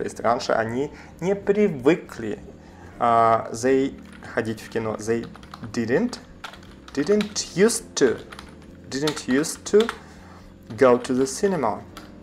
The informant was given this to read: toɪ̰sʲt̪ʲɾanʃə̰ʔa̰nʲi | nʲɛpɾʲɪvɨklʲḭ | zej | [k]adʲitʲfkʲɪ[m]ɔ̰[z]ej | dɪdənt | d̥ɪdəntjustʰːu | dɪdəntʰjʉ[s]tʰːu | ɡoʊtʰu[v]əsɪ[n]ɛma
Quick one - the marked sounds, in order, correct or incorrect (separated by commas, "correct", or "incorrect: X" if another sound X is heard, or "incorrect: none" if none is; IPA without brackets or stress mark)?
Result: incorrect: x, incorrect: n, correct, correct, incorrect: ð, correct